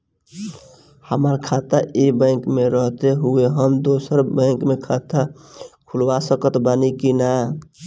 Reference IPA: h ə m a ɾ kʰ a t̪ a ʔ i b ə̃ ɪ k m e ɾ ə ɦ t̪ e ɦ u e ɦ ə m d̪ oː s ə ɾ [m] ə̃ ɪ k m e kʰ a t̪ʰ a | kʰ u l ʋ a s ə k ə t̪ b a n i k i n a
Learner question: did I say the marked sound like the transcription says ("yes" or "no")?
no